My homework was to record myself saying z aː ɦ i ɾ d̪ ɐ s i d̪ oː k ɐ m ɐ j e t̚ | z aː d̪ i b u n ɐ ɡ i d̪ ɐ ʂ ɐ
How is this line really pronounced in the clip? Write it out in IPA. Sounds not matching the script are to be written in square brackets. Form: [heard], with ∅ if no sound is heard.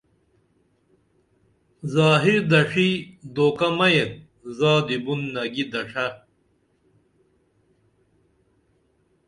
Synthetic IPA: z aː ɦ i ɾ d̪ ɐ [ʂ] i d̪ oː k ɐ m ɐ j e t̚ | z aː d̪ i b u [nː] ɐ ɡ i d̪ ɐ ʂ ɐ